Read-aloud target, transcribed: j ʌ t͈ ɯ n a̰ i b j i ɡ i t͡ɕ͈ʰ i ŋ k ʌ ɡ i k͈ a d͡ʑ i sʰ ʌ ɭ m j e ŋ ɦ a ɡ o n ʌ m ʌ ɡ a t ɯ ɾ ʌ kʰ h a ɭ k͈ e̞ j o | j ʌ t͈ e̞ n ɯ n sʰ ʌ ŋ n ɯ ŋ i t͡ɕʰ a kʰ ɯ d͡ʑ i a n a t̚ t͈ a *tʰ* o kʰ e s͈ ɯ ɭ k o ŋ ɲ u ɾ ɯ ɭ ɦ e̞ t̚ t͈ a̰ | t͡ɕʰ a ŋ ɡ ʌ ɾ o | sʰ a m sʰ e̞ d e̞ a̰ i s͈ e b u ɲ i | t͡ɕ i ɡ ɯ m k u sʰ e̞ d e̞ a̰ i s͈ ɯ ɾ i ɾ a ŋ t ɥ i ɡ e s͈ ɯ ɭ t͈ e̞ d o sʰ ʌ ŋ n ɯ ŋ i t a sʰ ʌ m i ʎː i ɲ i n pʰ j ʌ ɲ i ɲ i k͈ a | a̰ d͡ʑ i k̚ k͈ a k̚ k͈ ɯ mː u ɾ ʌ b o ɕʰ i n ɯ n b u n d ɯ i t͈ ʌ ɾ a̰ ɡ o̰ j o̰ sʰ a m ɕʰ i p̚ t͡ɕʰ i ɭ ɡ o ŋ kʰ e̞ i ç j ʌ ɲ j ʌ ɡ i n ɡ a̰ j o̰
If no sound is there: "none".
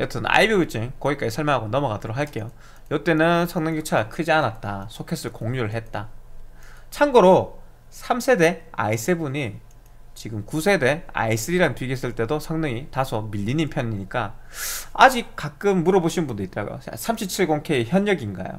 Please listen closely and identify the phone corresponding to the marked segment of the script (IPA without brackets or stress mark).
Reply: sʰ